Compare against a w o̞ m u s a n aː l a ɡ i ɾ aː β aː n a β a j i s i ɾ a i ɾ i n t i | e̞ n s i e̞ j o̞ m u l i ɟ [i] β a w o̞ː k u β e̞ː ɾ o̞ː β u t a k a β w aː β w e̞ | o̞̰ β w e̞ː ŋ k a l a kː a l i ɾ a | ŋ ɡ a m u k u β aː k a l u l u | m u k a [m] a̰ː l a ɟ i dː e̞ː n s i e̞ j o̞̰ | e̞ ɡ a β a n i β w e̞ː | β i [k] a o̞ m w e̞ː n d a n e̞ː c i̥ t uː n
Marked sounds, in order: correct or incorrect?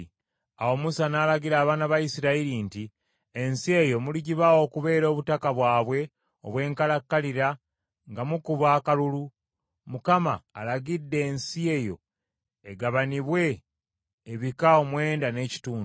correct, correct, correct

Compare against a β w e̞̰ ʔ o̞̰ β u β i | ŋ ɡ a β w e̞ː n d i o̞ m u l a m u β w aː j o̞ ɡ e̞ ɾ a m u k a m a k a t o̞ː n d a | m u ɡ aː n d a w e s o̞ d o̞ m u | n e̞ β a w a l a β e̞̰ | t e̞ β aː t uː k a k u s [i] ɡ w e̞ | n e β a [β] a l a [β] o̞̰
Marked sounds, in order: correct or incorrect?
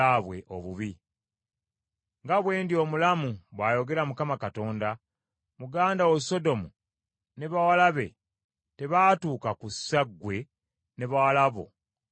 incorrect: a, incorrect: w, correct

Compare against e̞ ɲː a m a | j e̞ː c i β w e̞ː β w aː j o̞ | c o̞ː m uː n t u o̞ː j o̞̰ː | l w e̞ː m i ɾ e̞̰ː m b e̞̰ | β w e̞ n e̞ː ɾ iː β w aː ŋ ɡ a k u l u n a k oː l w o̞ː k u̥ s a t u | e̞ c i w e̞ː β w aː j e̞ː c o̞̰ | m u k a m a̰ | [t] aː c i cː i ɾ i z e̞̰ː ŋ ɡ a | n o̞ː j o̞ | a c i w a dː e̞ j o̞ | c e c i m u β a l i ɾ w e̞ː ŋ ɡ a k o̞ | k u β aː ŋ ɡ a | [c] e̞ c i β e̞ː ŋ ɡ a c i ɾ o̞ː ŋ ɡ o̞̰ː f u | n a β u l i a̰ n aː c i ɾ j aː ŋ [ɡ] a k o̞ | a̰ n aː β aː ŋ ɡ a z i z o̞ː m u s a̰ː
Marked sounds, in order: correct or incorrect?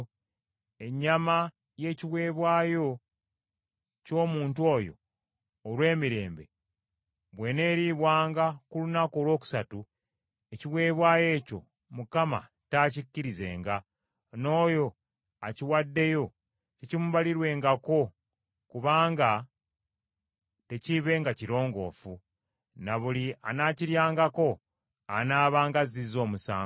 correct, incorrect: t, correct

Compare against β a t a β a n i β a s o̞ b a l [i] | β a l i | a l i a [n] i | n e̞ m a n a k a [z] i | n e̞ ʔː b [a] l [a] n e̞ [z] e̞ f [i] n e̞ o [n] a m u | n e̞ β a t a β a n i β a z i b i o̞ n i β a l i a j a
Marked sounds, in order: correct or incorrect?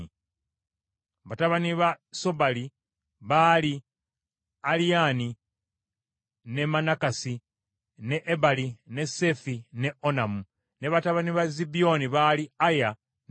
correct, correct, incorrect: s, correct, incorrect: i, incorrect: s, correct, correct

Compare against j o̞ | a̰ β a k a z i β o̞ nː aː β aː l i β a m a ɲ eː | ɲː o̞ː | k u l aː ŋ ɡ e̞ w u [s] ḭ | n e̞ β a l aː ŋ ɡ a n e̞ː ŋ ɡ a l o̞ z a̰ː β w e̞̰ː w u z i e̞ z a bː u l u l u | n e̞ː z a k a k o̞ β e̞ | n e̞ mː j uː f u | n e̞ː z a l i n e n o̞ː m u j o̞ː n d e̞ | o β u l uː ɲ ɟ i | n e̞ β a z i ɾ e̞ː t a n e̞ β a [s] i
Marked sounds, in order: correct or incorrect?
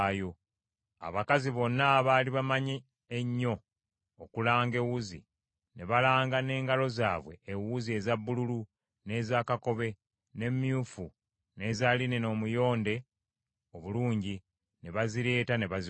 incorrect: z, incorrect: z

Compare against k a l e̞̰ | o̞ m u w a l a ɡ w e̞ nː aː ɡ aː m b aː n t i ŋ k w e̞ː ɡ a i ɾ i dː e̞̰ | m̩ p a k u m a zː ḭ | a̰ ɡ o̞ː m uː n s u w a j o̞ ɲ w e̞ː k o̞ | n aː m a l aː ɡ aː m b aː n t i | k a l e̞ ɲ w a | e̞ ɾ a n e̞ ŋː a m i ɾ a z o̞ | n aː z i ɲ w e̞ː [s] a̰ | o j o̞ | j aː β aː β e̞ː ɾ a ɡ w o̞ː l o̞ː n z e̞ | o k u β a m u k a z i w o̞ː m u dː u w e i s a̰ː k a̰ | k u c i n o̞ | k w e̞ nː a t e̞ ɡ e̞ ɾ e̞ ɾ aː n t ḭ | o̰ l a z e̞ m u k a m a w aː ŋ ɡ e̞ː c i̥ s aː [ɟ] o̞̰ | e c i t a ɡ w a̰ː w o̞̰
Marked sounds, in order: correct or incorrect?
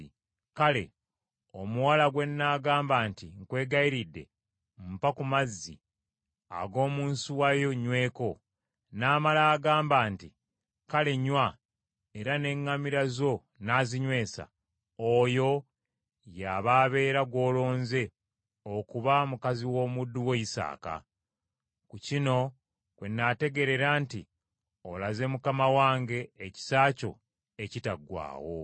correct, incorrect: c

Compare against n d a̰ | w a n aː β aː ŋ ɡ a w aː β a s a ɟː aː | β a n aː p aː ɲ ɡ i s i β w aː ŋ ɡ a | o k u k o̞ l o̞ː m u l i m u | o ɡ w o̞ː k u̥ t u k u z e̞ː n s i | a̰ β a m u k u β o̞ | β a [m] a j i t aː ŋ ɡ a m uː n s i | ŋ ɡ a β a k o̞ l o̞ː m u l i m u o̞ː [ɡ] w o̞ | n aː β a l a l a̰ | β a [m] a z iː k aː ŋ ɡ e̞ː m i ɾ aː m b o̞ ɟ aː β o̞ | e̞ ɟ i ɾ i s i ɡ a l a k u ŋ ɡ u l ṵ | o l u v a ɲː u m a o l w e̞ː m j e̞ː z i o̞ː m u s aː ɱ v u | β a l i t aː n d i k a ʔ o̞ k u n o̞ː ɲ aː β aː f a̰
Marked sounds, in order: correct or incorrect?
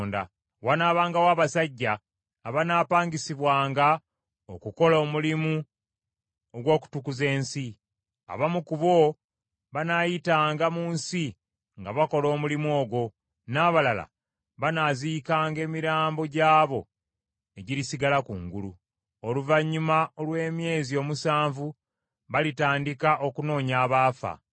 incorrect: n, correct, incorrect: n

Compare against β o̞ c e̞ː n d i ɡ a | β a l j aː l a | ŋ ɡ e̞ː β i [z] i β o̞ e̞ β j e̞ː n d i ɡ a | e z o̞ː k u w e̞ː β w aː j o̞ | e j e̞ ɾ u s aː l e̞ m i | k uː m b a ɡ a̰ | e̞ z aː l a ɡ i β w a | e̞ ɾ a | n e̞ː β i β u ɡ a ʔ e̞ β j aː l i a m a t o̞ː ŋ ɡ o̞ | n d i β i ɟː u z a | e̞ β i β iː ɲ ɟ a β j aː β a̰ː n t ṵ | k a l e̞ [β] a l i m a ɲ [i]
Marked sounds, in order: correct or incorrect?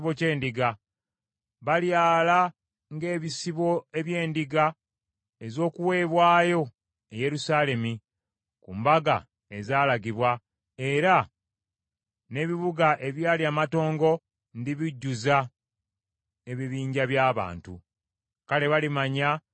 incorrect: s, correct, incorrect: a

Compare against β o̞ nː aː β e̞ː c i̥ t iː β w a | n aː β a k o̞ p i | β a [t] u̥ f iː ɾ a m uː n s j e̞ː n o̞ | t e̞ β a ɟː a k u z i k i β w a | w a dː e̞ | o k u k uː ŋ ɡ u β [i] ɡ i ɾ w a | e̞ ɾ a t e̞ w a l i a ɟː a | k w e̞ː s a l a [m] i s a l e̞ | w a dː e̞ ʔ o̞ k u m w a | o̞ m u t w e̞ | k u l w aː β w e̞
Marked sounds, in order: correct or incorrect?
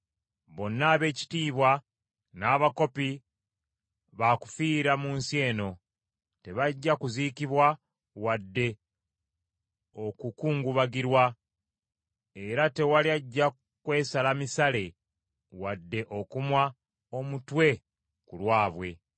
incorrect: k, incorrect: a, correct

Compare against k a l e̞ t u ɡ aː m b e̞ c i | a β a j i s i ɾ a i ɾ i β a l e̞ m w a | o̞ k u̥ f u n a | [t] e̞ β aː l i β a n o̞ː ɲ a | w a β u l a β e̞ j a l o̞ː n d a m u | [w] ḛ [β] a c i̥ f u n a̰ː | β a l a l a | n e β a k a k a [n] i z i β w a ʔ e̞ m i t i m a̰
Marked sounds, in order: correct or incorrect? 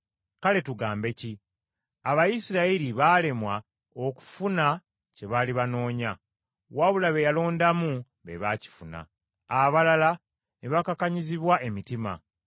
incorrect: c, incorrect: β, correct, incorrect: ɲ

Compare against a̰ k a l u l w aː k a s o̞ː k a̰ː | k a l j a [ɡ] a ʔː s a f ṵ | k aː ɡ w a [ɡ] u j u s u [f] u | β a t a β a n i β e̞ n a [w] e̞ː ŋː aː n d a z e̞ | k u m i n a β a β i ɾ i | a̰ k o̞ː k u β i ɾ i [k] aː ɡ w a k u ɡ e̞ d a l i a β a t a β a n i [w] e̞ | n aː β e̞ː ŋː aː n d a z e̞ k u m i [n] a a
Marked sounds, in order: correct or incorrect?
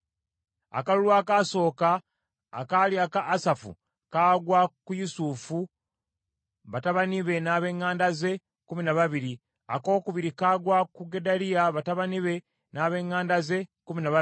incorrect: k, incorrect: k, correct, incorrect: β, correct, incorrect: β, correct

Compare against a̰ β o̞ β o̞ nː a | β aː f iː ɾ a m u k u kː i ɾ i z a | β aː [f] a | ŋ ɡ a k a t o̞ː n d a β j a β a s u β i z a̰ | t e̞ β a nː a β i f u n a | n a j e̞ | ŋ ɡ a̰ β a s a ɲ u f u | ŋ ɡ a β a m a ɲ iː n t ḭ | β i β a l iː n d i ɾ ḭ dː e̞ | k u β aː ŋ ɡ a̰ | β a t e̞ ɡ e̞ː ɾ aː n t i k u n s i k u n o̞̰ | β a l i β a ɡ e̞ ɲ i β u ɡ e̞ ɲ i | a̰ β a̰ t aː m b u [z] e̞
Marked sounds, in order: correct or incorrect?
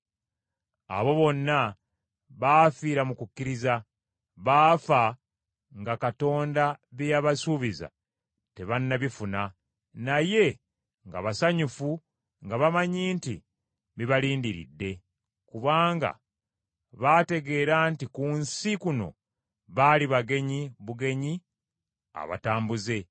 correct, correct

